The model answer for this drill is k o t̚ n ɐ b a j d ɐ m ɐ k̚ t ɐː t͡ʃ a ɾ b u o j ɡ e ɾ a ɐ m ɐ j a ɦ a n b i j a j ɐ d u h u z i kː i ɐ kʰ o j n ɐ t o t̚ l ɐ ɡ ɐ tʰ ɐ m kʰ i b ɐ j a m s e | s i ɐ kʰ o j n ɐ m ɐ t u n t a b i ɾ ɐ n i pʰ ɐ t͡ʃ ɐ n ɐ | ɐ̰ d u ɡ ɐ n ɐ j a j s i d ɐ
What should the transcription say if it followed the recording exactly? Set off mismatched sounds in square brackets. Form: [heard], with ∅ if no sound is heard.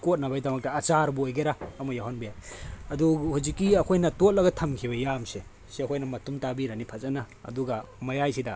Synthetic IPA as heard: k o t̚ n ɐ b a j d ɐ m ɐ k̚ t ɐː t͡ʃ a ɾ b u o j ɡ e ɾ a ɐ m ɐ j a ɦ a n b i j a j ɐ d u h u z i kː i ɐ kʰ o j n ɐ t o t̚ l ɐ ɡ ɐ tʰ ɐ m kʰ i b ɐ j a m s e | s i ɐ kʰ o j n ɐ m ɐ t u [m] t a b i ɾ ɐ n i pʰ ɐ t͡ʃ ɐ n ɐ | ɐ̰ d u ɡ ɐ [m] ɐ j a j s i d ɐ